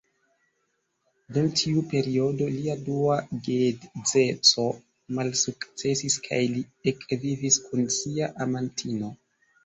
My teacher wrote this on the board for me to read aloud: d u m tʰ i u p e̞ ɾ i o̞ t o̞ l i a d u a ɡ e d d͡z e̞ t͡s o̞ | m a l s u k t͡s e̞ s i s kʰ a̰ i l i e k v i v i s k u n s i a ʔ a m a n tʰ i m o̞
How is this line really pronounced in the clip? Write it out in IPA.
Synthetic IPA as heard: d u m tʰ i u p e̞ ɾ i o̞ d o̞ l i a d u a ɡ e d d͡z e̞ t͡s o̞ | m a l s u k t͡s e̞ s i s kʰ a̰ j l i e k v i v i s k u n s i a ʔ a m a n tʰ i n o̞